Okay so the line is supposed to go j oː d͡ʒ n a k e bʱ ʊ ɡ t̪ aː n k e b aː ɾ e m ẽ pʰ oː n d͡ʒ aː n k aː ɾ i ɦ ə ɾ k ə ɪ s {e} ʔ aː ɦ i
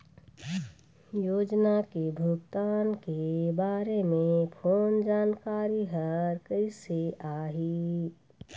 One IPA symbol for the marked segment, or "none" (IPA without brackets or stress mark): e